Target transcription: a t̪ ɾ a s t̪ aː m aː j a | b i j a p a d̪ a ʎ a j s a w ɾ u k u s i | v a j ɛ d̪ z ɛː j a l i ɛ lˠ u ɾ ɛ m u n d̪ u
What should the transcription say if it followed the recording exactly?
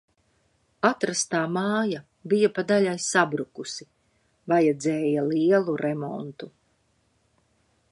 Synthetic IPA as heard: a t̪ ɾ a s t̪ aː m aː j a | b i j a p a d̪ a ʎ a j s a b ɾ u k u s i | v a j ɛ d̪ z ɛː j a l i ɛ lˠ u ɾ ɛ m ɔ n t̪ u